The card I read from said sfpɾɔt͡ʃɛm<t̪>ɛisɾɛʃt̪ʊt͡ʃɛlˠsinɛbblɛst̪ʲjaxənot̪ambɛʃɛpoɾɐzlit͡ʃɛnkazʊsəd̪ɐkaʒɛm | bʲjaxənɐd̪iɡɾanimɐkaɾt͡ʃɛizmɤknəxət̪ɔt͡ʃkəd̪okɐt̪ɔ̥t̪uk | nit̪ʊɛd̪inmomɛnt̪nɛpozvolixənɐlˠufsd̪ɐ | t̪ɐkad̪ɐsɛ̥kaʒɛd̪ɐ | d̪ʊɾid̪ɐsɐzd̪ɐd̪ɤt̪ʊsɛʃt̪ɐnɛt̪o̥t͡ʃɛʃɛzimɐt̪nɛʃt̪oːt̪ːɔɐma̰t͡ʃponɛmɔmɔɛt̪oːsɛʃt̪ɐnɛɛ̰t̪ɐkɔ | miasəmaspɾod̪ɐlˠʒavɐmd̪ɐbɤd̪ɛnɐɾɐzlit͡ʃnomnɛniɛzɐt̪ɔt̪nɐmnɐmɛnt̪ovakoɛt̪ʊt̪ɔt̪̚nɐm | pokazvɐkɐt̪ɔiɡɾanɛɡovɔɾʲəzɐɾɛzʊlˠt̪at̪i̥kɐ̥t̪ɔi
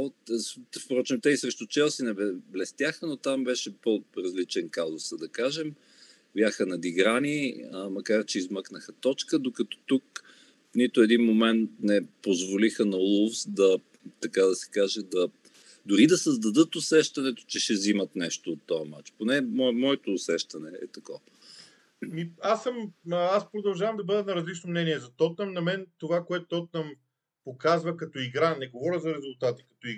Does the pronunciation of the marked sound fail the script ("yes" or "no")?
no